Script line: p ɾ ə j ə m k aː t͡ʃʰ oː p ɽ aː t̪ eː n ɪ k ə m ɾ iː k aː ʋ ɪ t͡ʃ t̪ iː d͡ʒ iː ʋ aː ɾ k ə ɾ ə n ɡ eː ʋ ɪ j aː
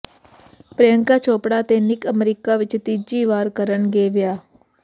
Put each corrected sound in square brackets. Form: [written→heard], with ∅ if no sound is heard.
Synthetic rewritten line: p ɾ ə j ə [m→ŋ] k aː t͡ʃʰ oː p ɽ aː t̪ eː n ɪ k ə m ɾ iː k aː ʋ ɪ t͡ʃ t̪ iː d͡ʒ iː ʋ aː ɾ k ə ɾ ə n ɡ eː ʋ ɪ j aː